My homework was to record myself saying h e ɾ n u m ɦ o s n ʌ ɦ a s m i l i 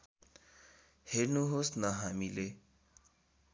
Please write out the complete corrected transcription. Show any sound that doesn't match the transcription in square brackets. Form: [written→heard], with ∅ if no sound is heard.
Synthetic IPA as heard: h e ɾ n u [m→∅] ɦ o s n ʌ ɦ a [s→∅] m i l [i→e]